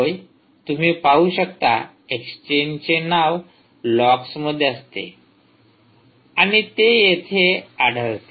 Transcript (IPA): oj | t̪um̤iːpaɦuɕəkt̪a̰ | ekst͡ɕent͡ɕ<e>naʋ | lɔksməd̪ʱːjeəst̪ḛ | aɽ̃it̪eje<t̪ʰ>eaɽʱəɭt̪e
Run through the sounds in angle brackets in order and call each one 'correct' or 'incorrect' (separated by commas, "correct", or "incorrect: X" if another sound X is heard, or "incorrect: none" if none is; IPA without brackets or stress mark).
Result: correct, correct